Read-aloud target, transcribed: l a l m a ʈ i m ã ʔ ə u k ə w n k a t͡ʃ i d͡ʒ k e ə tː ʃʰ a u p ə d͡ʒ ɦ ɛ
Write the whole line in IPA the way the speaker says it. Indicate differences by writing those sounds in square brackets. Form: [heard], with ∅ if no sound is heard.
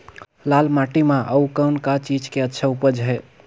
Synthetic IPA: l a l m a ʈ i m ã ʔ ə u k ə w n k a t͡ʃ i d͡ʒ k e ə tː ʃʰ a u p ə d͡ʒ ɦ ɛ